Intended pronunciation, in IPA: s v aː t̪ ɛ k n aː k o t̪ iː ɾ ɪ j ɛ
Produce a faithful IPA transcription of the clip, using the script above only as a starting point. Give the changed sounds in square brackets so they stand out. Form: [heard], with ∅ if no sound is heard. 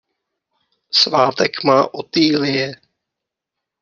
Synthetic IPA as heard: s v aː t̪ ɛ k [m] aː [ʔ] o t̪ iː [l] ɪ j ɛ